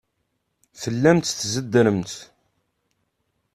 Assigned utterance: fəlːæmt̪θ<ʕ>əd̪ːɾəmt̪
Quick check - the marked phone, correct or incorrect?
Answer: incorrect